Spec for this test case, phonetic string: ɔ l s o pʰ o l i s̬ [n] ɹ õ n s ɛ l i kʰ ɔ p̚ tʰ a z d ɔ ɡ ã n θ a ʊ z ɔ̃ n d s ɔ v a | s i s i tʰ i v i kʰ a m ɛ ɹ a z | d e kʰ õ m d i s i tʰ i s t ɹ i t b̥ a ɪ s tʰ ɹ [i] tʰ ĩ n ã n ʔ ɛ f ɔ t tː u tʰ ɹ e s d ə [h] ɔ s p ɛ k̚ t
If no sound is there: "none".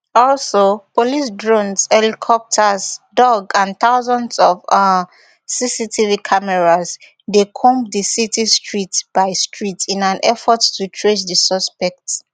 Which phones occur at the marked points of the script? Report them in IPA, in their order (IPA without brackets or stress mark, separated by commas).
d, i, s